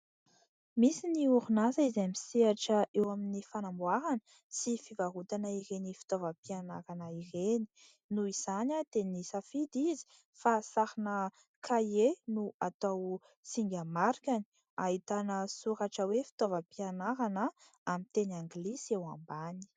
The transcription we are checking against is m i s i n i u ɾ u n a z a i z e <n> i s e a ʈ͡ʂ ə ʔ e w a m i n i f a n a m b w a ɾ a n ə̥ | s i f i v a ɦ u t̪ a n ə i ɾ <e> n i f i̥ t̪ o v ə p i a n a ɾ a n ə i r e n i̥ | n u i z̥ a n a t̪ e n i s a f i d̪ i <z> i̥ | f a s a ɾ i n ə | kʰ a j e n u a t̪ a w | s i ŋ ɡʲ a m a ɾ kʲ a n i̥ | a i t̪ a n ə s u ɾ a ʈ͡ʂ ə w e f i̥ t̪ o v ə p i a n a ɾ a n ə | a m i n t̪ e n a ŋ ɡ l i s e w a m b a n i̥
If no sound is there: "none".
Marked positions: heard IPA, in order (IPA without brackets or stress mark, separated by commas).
m, e, z